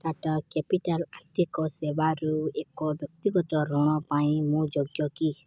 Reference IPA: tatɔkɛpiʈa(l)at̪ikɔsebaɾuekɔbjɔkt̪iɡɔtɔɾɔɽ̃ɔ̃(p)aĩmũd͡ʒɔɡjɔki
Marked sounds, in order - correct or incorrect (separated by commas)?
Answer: correct, correct